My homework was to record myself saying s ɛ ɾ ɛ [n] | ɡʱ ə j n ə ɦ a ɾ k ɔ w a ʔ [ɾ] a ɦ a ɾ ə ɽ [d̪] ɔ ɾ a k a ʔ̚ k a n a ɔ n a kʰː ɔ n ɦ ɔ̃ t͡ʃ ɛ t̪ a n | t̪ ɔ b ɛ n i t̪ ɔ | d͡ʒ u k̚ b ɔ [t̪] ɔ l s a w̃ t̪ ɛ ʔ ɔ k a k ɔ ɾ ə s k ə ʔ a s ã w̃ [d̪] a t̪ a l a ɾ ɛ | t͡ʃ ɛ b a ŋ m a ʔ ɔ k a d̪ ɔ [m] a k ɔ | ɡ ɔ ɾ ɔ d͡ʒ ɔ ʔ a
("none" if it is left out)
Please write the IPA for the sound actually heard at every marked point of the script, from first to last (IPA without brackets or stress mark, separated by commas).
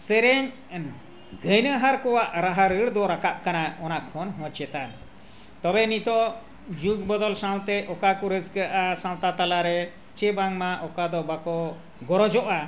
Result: ɲ, ɾ, d̪, d̪, t̪, b